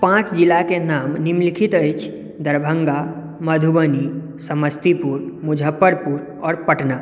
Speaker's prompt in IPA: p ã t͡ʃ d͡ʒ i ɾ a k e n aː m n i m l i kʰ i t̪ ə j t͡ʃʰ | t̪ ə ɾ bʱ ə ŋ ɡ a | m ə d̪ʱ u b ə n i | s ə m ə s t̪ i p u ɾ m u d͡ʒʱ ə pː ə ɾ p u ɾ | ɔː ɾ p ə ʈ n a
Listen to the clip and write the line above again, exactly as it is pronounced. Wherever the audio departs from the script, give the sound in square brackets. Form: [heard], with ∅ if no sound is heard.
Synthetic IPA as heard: p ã t͡ʃ d͡ʒ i [l] a k e n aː m n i m l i kʰ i t̪ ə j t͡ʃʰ | [d̪] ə ɾ bʱ ə ŋ ɡ a | m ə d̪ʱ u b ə n i | s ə m ə s t̪ i p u ɾ m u d͡ʒʱ ə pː ə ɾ p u ɾ | ɔː ɾ p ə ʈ n a